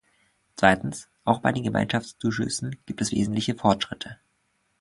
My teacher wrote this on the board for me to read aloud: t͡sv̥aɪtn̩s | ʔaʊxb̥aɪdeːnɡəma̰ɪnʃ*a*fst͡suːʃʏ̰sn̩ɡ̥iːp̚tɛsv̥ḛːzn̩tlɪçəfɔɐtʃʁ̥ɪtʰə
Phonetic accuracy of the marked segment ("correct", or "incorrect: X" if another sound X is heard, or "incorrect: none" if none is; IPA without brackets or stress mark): correct